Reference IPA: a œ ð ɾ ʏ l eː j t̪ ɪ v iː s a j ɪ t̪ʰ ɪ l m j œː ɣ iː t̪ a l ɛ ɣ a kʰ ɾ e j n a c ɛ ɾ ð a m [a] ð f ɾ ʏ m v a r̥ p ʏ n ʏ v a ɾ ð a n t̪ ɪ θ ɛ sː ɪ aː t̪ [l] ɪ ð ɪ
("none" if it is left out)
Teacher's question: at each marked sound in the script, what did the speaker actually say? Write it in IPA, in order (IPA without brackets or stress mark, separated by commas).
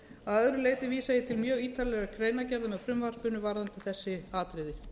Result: ɛ, ɾ